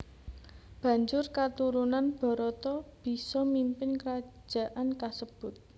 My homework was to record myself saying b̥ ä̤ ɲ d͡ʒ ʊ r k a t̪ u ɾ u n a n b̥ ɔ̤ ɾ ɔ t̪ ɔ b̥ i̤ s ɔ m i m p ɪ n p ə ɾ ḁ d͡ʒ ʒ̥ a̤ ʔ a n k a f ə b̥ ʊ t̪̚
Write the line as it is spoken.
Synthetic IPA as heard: b̥ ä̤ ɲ d͡ʒ ʊ r k a t̪ u ɾ u n a n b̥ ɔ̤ ɾ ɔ t̪ ɔ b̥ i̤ s ɔ m i m p ɪ n k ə ɾ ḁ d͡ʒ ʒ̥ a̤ ʔ a n k a s ə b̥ ʊ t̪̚